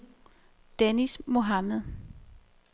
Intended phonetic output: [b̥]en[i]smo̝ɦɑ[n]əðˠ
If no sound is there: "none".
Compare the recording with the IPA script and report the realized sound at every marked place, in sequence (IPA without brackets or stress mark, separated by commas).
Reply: d̥, i, m